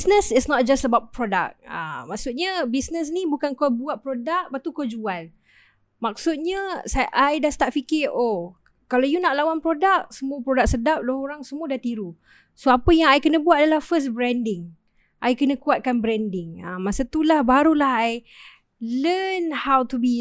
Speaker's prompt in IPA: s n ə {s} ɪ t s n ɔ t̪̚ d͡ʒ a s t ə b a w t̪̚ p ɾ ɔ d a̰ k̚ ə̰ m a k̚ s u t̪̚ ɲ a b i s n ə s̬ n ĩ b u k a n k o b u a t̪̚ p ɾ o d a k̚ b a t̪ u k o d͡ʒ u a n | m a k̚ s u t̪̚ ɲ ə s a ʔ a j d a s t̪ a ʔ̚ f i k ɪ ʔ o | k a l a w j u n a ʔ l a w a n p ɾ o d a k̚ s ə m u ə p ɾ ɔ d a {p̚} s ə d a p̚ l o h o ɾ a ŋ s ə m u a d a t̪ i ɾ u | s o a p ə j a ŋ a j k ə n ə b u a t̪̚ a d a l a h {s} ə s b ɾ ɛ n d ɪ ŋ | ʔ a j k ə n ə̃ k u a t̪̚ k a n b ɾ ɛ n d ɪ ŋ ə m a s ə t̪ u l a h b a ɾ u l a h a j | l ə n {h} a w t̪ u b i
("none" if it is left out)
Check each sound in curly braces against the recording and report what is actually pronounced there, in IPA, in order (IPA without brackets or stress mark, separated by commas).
s, k̚, f, h